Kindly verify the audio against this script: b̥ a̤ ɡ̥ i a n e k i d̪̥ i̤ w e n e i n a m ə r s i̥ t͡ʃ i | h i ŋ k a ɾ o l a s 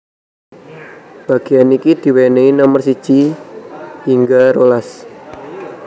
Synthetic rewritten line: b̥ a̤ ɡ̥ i a n i k i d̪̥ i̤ w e n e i n a m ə r s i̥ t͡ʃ i | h i ŋ ɡ a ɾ o l a s